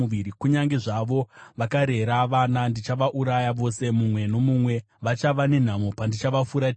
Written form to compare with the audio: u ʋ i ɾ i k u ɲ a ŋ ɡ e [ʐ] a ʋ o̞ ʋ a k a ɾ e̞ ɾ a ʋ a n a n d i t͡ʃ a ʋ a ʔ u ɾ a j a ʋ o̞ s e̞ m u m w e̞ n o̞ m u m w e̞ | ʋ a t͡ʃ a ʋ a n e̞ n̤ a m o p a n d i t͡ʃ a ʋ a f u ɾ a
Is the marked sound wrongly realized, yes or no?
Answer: no